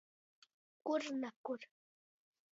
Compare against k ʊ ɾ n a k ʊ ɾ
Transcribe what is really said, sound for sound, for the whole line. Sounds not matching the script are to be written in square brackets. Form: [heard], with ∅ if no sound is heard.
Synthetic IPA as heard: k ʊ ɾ n a k ʊ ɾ